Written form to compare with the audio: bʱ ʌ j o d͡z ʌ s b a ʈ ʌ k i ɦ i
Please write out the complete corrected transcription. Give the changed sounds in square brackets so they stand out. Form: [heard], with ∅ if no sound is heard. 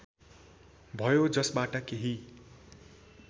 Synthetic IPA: bʱ ʌ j o d͡z ʌ s b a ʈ ʌ k [e] ɦ i